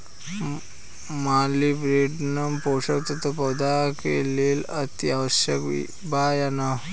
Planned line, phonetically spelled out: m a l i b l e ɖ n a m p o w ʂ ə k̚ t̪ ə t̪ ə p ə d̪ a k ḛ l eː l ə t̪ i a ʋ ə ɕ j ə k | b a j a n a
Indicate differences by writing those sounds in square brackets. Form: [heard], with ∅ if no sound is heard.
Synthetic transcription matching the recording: m a l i b [ɾ] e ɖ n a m p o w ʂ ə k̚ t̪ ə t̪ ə p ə d̪ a k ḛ l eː l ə t̪ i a ʋ ə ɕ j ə k | b a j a n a